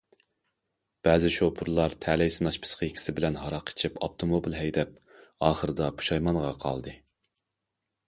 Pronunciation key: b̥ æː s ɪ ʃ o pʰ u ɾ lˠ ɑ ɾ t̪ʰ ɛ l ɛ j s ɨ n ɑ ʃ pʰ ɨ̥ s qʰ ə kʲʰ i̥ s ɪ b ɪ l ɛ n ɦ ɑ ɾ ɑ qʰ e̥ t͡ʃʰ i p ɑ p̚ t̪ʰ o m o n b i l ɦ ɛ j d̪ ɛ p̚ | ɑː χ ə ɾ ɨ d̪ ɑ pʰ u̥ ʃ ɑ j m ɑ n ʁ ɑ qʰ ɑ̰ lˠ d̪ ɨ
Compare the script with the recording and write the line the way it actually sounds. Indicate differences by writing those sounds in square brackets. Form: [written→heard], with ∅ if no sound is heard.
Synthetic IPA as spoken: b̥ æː [s→z] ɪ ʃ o pʰ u ɾ lˠ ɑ ɾ t̪ʰ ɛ l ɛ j s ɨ n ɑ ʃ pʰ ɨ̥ s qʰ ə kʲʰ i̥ s ɪ b ɪ l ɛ n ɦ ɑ ɾ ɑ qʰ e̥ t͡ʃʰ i p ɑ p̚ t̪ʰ o m o [n→∅] b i l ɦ ɛ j d̪ ɛ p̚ | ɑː χ ə ɾ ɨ d̪ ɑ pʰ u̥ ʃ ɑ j m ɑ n ʁ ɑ qʰ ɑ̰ lˠ d̪ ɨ